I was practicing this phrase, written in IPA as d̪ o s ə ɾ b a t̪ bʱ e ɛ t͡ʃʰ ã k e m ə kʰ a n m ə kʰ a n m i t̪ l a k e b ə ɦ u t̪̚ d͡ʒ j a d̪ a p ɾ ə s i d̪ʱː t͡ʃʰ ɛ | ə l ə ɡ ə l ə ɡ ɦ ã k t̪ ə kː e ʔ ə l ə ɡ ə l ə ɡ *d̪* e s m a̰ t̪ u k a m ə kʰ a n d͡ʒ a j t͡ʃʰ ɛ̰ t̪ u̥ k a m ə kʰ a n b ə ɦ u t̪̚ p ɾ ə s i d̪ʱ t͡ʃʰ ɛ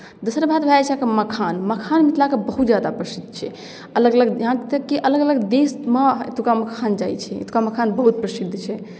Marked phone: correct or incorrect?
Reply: correct